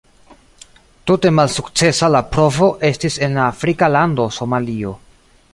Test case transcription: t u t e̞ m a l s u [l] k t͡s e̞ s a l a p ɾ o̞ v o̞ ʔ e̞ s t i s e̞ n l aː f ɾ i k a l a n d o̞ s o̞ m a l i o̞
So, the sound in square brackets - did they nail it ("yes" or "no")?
no